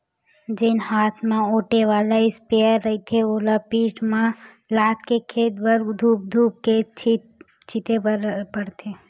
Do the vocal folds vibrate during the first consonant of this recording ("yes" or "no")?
yes